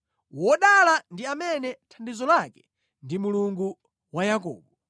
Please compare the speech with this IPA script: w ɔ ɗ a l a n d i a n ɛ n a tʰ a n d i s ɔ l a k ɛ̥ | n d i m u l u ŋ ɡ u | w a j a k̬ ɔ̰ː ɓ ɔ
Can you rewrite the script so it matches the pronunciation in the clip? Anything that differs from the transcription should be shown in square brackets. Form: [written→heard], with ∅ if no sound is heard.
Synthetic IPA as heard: w ɔ ɗ a l a n d i a [n→m] ɛ n [a→ɛ] tʰ a n d i [s→z] ɔ l a k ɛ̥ | n d i m u l u ŋ ɡ u | w a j a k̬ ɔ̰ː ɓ ɔ